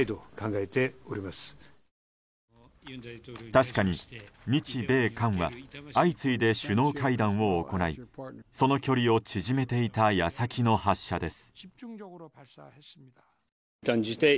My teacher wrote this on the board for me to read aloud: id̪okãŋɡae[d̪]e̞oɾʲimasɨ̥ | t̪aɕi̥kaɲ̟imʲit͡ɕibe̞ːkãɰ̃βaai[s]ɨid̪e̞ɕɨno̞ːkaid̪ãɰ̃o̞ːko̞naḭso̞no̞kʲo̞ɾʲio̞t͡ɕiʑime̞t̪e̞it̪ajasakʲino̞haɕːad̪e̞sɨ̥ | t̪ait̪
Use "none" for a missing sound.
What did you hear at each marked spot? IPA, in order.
t̪, t͡s

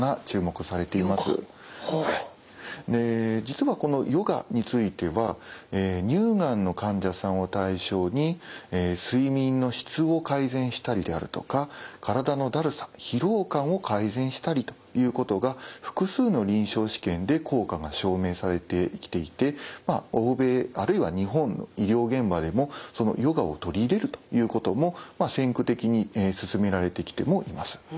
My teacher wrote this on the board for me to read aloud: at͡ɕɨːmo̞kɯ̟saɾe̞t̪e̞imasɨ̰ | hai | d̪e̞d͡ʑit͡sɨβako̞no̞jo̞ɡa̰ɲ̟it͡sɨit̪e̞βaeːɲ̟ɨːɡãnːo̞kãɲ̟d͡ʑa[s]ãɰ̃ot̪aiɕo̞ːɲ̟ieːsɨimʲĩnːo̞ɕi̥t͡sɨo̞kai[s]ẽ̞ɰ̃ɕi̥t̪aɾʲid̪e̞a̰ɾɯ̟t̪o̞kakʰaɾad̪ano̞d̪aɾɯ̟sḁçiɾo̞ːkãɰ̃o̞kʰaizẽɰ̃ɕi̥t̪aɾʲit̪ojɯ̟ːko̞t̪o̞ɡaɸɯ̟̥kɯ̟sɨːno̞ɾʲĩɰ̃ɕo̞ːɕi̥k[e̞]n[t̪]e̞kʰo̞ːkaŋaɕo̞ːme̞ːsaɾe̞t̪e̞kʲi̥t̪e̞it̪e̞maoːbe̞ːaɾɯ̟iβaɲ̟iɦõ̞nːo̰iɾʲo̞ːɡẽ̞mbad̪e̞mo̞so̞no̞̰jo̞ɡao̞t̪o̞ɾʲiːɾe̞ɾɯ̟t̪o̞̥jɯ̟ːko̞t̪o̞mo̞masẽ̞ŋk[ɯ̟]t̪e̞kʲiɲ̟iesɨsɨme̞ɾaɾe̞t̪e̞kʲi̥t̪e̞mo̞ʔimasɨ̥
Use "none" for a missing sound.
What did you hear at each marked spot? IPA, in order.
s, z, ẽ̞, d̪, ɯ̟

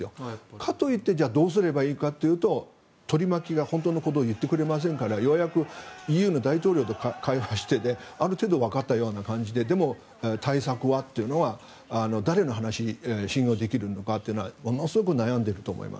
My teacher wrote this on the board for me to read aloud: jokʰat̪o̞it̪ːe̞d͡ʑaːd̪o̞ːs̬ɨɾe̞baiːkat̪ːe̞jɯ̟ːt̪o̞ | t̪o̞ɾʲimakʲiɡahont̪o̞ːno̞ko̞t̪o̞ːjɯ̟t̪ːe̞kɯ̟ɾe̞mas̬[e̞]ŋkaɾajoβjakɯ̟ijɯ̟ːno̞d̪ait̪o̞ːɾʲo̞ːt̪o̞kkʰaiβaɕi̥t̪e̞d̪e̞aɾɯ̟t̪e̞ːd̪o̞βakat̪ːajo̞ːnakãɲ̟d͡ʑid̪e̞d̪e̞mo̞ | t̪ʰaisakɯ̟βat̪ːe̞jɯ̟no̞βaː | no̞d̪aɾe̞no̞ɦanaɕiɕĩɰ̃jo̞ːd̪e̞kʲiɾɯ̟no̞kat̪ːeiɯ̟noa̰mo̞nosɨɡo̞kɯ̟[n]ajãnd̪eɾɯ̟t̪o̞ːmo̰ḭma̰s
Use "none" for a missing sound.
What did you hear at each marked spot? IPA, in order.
ẽ̞, n

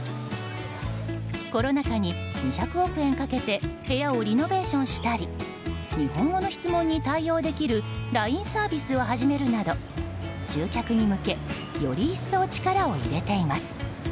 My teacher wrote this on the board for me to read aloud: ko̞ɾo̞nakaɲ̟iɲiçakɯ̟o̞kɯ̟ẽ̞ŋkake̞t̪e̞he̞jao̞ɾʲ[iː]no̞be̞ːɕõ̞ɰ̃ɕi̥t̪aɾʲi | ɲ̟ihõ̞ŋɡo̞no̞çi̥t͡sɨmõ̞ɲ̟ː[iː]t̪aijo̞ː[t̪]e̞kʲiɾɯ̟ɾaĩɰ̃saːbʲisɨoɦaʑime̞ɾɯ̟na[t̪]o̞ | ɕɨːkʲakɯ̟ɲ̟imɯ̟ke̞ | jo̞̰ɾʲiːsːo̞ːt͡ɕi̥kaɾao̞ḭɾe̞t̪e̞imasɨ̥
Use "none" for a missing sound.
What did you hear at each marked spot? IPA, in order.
i, i, d̪, d̪

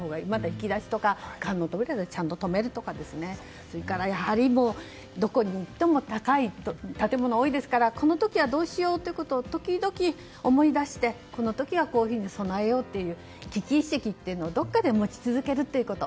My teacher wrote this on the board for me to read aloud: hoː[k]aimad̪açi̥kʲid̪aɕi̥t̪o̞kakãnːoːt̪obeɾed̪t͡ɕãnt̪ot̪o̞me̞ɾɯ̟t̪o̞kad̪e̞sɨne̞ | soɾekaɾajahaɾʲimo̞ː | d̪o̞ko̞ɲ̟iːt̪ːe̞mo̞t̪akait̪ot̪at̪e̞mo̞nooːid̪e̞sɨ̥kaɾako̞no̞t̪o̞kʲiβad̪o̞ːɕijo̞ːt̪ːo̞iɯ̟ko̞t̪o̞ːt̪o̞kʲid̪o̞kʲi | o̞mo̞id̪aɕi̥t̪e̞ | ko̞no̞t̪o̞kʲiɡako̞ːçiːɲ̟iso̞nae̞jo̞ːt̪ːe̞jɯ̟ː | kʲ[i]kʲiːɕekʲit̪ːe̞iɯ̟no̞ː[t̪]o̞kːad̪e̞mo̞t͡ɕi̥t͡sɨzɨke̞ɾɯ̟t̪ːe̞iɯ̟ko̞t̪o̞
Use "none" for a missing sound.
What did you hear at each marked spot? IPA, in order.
ɡ, i, d̪

